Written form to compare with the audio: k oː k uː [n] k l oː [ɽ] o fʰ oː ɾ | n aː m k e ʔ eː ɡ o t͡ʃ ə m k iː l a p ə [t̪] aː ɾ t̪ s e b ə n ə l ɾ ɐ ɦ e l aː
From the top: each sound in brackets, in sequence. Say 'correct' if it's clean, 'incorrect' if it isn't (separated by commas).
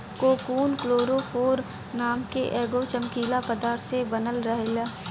correct, incorrect, incorrect